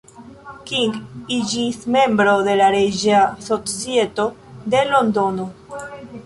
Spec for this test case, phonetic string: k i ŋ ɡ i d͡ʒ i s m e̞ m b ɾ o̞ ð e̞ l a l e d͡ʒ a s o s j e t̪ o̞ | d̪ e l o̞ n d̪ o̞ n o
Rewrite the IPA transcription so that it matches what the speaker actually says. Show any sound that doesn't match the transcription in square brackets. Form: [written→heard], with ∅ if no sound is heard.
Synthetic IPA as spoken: k i ŋ ɡ i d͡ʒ i s m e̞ m b ɾ o̞ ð e̞ l a [l→ɾ] e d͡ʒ a s o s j e t̪ o̞ | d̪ e l o̞ n d̪ o̞ n o